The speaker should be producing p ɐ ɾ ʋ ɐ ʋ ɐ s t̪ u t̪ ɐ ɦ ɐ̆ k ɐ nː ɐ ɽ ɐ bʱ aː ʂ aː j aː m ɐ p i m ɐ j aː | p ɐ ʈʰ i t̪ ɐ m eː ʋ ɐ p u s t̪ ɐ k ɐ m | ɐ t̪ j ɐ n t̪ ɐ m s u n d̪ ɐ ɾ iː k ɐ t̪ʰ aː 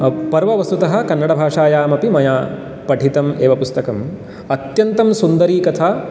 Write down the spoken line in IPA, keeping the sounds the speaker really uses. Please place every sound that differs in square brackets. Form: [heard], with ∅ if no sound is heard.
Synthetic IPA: p ɐ ɾ ʋ ɐ ʋ ɐ s t̪ u t̪ ɐ ɦ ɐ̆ k ɐ nː ɐ ɽ ɐ bʱ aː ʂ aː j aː m ɐ p i m ɐ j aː | p ɐ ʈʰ i t̪ ɐ m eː ʋ ɐ p u s t̪ ɐ k ɐ m | ɐ t̪ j ɐ n t̪ ɐ m s u n d̪ ɐ ɾ iː k ɐ t̪ʰ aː

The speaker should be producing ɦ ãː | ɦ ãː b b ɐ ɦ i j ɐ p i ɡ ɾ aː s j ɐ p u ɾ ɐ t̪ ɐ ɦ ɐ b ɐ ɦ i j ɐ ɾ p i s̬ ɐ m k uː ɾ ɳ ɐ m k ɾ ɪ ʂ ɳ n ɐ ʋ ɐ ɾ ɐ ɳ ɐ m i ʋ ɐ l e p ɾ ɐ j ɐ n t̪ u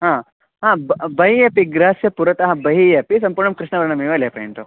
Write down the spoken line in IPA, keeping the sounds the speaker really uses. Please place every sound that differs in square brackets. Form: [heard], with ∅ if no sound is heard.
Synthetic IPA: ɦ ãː | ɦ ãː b b ɐ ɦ i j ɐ p i ɡ ɾ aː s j ɐ p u ɾ ɐ t̪ ɐ ɦ ɐ b ɐ ɦ i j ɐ [∅] p i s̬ ɐ m [p] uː ɾ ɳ ɐ m k ɾ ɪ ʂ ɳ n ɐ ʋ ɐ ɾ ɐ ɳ ɐ m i ʋ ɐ l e p ɾ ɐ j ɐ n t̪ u

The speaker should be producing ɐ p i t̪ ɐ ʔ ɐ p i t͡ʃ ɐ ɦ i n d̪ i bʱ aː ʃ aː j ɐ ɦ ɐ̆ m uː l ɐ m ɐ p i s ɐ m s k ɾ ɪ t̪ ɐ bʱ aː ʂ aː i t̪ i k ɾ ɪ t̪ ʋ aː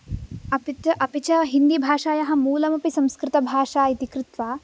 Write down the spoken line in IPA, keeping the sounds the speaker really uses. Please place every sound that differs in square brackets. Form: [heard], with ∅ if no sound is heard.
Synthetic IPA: ɐ p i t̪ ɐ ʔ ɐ p i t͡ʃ ɐ ɦ i n d̪ i bʱ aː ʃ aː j ɐ ɦ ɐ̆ m uː l ɐ m ɐ p i s ɐ m s k ɾ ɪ t̪ ɐ bʱ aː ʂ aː i t̪ i k ɾ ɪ t̪ ʋ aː

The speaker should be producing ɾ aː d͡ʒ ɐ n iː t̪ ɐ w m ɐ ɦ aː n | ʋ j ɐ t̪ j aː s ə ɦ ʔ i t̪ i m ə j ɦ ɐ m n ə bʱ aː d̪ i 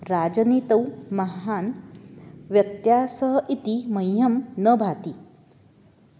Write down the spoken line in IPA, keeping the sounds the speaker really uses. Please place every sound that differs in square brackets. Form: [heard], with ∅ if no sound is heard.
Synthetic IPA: ɾ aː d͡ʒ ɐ n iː t̪ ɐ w m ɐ ɦ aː n | ʋ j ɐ t̪ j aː s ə ɦ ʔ i t̪ i m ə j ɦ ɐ m n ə bʱ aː [t̪] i

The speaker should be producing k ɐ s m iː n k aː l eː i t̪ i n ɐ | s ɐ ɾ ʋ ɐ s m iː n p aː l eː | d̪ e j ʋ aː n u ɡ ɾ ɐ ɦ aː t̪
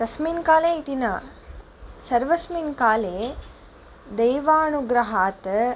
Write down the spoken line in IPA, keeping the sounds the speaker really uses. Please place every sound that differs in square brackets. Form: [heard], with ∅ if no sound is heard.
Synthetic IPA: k ɐ s m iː n k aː l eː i t̪ i n ɐ | s ɐ ɾ ʋ ɐ s m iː n [k] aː l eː | d̪ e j ʋ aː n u ɡ ɾ ɐ ɦ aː t̪

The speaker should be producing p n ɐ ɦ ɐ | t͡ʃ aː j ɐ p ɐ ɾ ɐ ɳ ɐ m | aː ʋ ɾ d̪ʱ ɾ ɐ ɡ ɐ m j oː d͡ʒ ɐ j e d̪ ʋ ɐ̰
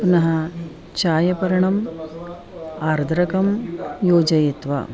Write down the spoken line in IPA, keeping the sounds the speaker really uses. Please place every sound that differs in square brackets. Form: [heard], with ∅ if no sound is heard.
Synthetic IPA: p n ɐ ɦ ɐ | t͡ʃ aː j ɐ p ɐ ɾ ɐ ɳ ɐ m | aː [∅] ɾ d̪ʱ ɾ ɐ [k] ɐ m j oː d͡ʒ ɐ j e [t̪] ʋ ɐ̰

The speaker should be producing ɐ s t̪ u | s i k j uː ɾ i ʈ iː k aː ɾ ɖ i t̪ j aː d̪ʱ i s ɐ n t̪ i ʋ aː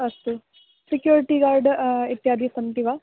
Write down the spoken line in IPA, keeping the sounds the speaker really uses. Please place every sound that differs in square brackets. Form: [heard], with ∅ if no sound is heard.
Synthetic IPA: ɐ s t̪ u | s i k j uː ɾ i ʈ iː [ɡ] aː ɾ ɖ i t̪ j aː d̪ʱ i s ɐ n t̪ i ʋ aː

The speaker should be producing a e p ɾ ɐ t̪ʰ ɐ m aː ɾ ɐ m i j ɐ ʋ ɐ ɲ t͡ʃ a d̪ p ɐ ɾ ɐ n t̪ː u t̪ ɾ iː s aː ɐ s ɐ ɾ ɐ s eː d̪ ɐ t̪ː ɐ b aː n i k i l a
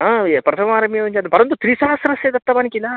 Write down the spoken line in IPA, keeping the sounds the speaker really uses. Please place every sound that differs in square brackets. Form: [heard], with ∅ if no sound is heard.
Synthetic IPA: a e p ɾ ɐ t̪ʰ ɐ m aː ɾ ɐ m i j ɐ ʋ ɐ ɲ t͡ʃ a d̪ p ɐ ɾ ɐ n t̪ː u t̪ ɾ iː s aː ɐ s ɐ ɾ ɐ s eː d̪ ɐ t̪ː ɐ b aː n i k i l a

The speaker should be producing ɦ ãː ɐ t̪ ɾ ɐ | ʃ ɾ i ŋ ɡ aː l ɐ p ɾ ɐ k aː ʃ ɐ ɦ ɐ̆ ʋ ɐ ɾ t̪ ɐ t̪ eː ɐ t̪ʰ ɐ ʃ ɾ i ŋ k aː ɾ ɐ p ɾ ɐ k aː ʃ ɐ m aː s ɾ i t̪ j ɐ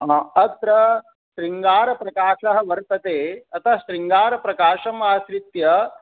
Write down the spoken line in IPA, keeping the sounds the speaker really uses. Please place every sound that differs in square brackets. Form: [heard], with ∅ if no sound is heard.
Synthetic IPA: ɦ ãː ɐ t̪ ɾ ɐ | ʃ ɾ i ŋ ɡ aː [ɾ] ɐ p ɾ ɐ k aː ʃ ɐ ɦ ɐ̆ ʋ ɐ ɾ t̪ ɐ t̪ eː ɐ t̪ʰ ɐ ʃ ɾ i ŋ [ɡ] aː ɾ ɐ p ɾ ɐ k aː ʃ ɐ m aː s ɾ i t̪ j ɐ

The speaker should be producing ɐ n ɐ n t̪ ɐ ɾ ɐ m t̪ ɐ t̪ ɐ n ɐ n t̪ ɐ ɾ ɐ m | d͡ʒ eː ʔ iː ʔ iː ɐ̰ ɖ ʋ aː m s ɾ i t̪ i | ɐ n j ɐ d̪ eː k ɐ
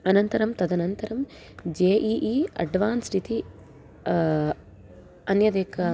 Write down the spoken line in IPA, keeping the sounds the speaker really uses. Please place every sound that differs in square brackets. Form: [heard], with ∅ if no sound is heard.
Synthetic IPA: ɐ n ɐ n t̪ ɐ ɾ ɐ m t̪ ɐ [d̪] ɐ n ɐ n t̪ ɐ ɾ ɐ m | d͡ʒ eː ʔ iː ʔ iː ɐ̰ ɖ ʋ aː [n] s ɾ i t̪ i | ɐ n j ɐ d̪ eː k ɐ

